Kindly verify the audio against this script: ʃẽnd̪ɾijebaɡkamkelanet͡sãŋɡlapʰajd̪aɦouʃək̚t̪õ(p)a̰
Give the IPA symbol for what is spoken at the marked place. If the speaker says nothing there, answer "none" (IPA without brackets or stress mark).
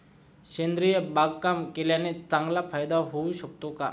k